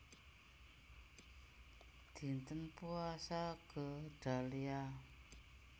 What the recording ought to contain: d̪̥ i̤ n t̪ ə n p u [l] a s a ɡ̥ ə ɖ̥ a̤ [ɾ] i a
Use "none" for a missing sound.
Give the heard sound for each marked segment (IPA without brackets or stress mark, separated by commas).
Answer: none, l